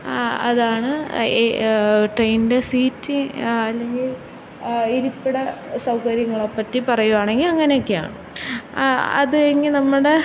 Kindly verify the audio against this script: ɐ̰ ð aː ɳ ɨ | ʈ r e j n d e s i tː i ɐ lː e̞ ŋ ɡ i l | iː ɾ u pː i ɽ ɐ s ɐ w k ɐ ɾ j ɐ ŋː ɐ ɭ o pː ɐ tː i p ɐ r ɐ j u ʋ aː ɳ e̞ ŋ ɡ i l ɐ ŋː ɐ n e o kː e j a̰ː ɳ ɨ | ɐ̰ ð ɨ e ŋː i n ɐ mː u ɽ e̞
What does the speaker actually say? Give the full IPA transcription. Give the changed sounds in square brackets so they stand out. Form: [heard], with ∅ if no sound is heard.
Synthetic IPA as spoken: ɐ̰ ð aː ɳ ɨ | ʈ r e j n d e s [iː] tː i ɐ lː e̞ ŋ ɡ i l | [i] ɾ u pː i ɽ ɐ s ɐ w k ɐ ɾ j ɐ ŋː ɐ ɭ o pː ɐ tː i p ɐ r ɐ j u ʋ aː ɳ e̞ ŋ ɡ i l ɐ ŋː ɐ n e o kː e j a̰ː ɳ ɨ | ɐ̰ ð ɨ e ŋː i n ɐ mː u ɽ e̞